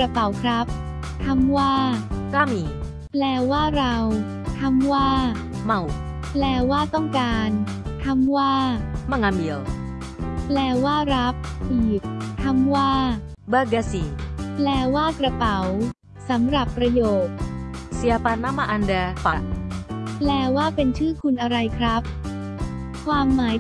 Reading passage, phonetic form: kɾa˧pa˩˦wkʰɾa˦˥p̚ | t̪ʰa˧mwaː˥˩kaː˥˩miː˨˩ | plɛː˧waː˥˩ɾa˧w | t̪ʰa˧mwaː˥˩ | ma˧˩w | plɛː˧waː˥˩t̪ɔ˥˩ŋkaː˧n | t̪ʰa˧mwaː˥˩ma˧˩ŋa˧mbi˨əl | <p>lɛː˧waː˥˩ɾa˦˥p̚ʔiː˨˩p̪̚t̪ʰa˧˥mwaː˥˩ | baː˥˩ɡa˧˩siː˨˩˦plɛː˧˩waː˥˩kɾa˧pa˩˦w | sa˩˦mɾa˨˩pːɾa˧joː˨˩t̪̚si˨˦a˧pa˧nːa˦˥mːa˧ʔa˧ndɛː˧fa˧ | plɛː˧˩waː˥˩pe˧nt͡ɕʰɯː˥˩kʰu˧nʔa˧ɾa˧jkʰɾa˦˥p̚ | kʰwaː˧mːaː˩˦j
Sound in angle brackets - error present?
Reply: no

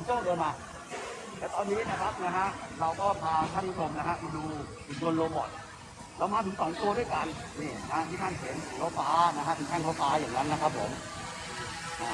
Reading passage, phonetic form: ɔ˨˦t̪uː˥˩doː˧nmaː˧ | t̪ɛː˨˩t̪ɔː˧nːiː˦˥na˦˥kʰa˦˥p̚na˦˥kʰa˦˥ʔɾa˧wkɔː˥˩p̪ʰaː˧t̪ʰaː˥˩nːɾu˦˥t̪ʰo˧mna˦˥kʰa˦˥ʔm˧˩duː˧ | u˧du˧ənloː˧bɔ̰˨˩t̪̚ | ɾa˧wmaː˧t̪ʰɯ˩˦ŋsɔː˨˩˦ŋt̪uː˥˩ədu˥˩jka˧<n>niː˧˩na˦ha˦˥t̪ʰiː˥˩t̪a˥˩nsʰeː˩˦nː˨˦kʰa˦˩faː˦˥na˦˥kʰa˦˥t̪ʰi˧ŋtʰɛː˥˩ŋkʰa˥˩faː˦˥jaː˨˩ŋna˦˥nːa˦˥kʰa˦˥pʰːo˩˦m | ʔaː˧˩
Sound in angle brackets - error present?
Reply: no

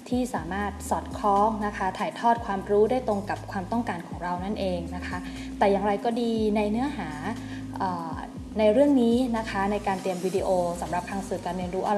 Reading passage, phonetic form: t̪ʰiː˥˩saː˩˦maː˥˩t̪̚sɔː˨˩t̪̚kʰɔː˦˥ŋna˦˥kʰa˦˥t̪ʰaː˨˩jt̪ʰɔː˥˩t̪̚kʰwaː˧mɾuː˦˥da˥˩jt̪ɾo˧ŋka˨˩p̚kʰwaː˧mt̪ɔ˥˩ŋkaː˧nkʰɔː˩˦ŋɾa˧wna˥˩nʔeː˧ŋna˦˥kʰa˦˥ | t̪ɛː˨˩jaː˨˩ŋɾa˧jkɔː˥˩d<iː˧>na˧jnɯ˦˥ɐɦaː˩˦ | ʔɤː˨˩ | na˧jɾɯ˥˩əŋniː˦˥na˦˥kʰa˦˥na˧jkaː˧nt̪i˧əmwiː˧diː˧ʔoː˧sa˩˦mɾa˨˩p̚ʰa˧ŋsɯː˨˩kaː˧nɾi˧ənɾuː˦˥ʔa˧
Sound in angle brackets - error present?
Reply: no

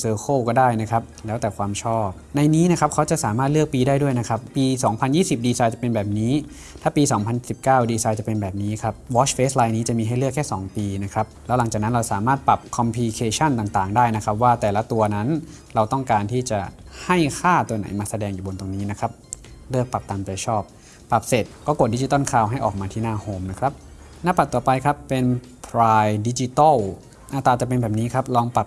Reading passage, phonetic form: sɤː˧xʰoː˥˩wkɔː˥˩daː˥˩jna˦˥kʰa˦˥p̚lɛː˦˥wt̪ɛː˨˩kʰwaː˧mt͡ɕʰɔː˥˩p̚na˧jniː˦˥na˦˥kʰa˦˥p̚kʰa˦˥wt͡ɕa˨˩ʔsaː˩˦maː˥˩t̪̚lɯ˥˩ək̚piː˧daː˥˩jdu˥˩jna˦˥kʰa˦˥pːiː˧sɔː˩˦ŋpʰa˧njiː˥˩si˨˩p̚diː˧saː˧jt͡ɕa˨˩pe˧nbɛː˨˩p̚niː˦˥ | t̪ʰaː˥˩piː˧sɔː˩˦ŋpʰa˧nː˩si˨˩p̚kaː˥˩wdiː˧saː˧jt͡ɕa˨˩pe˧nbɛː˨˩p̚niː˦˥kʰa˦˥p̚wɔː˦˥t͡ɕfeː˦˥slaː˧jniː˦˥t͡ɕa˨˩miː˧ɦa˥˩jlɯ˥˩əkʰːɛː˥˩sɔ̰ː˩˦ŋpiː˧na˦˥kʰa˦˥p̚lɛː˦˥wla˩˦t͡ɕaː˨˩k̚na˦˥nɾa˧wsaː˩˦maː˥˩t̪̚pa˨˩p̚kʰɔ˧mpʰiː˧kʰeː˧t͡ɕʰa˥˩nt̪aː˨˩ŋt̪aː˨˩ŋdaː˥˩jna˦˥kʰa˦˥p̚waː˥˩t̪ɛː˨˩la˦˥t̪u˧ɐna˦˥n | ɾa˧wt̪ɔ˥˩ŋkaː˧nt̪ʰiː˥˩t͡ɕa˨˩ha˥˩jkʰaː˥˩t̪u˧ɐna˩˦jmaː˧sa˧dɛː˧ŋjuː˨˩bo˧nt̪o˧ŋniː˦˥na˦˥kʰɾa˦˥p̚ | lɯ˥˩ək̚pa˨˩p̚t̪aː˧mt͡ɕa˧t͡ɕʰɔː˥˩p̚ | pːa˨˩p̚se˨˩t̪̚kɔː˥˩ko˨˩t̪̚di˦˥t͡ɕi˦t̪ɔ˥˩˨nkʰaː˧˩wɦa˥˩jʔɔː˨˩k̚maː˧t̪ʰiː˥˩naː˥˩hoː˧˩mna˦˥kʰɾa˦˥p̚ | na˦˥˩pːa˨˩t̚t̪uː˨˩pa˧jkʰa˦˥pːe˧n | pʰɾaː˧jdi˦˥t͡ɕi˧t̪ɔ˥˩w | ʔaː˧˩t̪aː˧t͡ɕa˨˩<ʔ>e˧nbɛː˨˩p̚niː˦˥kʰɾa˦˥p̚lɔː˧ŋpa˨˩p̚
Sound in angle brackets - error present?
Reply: yes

